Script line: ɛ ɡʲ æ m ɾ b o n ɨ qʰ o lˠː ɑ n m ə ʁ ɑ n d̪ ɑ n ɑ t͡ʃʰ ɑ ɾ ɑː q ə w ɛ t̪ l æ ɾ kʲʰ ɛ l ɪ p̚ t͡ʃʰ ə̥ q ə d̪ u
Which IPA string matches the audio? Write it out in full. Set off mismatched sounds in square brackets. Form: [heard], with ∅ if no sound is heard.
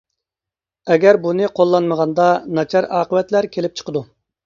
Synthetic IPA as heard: ɛ ɡʲ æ [∅] ɾ b [u] n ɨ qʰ o lˠː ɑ n m ə ʁ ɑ n d̪ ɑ n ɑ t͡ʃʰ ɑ ɾ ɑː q ə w ɛ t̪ l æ ɾ kʲʰ [e] l ɪ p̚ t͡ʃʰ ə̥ q ə d̪ u